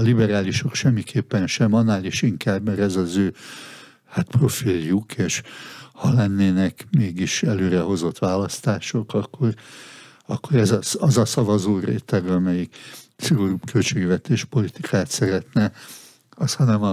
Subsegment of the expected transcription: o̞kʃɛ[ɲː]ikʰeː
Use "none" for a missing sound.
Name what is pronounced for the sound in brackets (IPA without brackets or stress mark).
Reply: mː